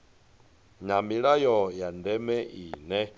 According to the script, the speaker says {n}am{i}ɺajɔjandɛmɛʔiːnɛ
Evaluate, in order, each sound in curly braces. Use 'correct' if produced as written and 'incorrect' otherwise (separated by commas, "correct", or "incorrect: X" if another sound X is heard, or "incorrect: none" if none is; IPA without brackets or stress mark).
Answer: incorrect: ɲ, correct